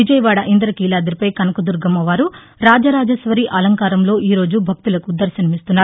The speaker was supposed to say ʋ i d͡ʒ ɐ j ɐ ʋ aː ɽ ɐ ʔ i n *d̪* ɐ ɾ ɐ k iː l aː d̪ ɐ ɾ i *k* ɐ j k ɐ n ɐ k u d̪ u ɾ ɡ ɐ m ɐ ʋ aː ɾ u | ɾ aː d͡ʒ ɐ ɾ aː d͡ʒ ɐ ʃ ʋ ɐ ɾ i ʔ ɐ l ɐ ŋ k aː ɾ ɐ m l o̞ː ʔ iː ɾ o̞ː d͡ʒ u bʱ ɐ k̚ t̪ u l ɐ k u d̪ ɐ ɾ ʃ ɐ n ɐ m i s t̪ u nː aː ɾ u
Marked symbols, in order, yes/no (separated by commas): yes, no